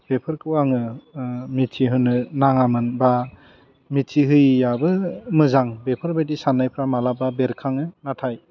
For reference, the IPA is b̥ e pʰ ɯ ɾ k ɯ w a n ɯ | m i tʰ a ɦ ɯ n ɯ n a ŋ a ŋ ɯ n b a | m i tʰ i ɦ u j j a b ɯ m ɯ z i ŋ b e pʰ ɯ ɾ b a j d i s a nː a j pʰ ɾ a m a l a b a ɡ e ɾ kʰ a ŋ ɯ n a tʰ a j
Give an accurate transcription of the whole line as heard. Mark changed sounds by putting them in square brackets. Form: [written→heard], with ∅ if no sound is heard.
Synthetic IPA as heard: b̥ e pʰ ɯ ɾ k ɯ w a [n→ŋ] ɯ | m i tʰ [a→i] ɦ ɯ n ɯ n a ŋ a [ŋ→m] ɯ n b a | m i tʰ i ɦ [u→ɯ] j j a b ɯ m ɯ z [i→a] ŋ b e pʰ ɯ ɾ b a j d i s a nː a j pʰ ɾ a m a l a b a [ɡ→b] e ɾ kʰ a ŋ ɯ n a tʰ a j